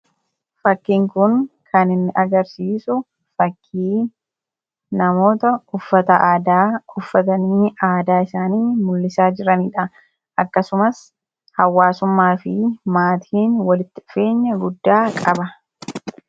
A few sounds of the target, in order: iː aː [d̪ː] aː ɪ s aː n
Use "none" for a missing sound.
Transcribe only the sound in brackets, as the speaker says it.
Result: d̪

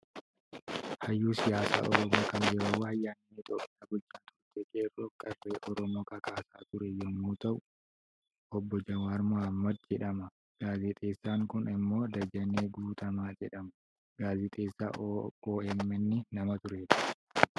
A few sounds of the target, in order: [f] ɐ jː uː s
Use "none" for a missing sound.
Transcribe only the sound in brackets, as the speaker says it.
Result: h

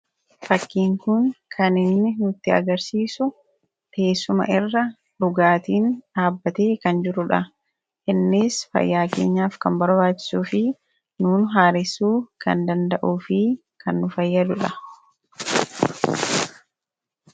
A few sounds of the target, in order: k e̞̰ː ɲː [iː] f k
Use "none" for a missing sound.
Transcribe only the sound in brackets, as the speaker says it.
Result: aː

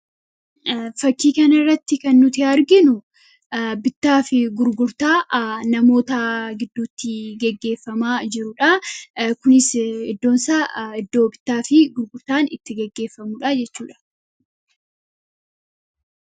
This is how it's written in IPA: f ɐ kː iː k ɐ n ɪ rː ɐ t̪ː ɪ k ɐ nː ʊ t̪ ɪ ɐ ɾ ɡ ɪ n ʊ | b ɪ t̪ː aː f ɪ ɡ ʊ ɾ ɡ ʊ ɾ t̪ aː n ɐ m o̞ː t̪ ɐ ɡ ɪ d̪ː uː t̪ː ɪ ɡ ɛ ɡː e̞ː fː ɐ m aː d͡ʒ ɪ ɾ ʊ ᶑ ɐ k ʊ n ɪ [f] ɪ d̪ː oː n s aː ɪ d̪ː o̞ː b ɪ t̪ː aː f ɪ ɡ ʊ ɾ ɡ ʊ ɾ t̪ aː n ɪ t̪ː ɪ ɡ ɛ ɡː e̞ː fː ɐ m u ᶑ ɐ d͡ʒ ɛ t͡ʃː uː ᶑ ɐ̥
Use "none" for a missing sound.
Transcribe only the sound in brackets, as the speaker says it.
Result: s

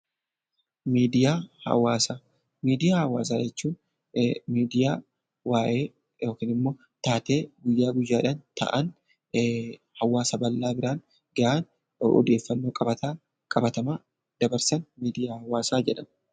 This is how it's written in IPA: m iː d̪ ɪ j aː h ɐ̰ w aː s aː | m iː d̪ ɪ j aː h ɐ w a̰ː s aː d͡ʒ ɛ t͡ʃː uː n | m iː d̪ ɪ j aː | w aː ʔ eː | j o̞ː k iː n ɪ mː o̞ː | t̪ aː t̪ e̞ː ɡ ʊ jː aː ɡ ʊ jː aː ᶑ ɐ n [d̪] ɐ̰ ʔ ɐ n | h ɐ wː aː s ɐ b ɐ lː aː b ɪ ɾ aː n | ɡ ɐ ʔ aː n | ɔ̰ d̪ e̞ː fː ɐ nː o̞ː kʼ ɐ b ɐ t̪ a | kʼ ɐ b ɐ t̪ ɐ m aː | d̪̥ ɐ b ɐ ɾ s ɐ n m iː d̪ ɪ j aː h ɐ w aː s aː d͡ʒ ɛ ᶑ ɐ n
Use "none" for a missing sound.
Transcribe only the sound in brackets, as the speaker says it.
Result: t̪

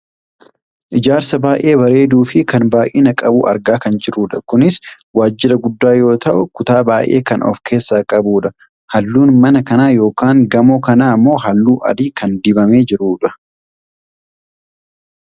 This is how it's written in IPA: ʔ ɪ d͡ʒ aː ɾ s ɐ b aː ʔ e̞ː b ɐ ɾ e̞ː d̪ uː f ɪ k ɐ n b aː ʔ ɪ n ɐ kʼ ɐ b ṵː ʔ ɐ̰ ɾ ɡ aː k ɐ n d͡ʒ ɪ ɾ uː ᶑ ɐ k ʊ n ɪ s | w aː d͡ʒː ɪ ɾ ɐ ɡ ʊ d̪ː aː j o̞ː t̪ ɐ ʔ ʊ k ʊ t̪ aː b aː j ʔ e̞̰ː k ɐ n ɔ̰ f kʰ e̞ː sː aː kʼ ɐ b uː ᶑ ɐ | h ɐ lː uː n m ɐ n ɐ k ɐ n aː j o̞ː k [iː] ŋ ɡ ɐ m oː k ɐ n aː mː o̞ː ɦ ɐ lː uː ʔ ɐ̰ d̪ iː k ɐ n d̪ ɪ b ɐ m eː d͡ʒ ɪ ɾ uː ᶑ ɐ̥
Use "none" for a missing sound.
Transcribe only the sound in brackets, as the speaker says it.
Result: aː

